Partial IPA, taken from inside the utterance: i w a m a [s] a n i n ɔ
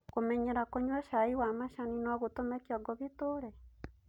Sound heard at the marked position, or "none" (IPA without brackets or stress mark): ʃ